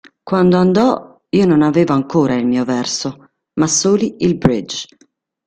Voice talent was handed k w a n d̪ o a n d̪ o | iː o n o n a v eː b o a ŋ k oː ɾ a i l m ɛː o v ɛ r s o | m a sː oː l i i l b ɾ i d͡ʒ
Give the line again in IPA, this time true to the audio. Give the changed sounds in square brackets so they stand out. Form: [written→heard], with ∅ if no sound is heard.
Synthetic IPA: k w a n d̪ o a n d̪ [o→ɔ] | iː o n o n a v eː [b→v] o a ŋ k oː ɾ a i l m [ɛː→iː] o v ɛ r s o | m a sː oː l i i l b ɾ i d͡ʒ